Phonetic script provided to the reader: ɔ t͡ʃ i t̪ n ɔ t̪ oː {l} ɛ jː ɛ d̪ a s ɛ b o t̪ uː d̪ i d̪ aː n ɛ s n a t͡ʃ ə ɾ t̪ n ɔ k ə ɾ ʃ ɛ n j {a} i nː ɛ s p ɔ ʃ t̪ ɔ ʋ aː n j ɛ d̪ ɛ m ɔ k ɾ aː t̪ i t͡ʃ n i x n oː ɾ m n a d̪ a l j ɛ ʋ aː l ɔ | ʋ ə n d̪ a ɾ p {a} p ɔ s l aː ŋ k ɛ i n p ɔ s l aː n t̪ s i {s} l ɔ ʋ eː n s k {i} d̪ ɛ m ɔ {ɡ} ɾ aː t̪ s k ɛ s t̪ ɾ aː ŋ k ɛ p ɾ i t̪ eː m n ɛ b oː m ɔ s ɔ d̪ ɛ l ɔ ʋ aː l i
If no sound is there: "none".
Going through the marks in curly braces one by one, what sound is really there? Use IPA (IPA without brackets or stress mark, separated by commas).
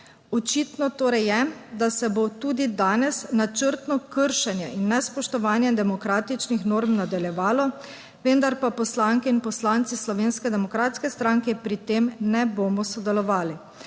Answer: ɾ, ɛ, a, s, ɛ, k